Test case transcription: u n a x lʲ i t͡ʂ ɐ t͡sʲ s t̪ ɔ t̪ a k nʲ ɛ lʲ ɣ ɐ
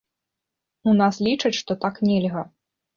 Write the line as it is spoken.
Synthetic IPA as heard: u n a s lʲ i t͡ʂ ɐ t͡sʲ ʂ t̪ ɔ t̪ a k nʲ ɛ lʲ ɣ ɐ